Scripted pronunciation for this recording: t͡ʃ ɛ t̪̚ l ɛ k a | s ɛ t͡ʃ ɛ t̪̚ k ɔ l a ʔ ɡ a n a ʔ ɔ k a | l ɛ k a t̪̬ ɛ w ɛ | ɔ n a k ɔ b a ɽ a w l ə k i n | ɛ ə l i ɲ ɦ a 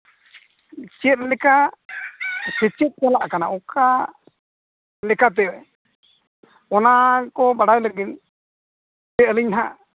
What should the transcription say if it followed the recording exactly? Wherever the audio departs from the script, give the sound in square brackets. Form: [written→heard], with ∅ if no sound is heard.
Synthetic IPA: t͡ʃ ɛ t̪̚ l ɛ k a | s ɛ t͡ʃ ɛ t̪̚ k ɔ l a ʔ [ɡ→k] a n a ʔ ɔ k a | l ɛ k a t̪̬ ɛ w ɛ | ɔ n a k ɔ b a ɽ a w l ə [k→ɡ] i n | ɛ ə l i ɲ ɦ a